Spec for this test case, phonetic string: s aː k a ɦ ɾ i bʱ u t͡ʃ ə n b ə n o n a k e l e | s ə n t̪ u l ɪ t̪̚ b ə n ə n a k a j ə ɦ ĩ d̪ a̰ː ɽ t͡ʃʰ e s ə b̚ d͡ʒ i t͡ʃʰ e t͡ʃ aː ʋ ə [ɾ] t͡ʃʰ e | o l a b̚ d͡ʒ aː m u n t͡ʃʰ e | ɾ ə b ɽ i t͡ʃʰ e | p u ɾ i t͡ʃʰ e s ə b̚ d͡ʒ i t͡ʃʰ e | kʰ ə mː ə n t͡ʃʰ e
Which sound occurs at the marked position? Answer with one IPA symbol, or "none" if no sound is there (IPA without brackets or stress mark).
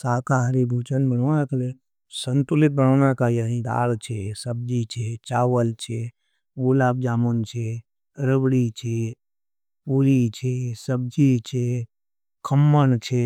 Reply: l